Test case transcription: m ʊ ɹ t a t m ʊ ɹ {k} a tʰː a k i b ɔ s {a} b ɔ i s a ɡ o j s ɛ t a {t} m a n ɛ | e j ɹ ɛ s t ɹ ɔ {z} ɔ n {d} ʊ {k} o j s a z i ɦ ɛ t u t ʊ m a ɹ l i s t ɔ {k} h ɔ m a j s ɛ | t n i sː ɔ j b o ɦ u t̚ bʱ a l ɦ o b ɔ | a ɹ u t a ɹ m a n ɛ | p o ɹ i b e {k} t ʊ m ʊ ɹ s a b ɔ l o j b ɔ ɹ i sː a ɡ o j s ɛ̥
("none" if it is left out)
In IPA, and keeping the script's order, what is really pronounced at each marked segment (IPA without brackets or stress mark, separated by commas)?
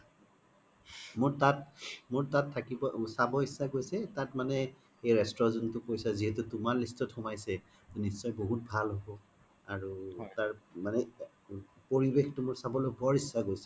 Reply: t, a, t, z, t, k, t, x